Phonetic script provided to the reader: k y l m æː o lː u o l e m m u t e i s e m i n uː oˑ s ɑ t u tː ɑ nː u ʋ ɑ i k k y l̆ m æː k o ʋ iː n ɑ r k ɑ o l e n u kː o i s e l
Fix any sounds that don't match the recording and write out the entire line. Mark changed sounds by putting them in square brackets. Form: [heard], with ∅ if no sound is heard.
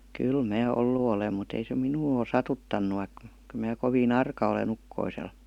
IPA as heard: k y l m æː o lː u o l e m m u t e i s e m i n uː oˑ s ɑ t u tː ɑ nː u ʋ ɑ i k k y l̆ m æː k o ʋ iː n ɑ r k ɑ o l e n u kː o i s e l